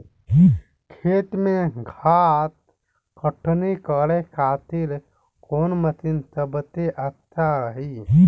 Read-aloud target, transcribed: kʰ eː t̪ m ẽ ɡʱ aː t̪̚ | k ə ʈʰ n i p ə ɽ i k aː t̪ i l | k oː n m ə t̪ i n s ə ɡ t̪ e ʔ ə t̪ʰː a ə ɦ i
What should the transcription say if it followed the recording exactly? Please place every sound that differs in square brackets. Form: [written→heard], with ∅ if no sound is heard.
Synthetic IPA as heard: kʰ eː t̪ m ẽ ɡʱ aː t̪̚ | k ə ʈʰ n i [p→k] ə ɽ [i→e] k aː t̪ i l | k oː n m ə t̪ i n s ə [ɡ→b] t̪ e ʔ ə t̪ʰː a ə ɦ i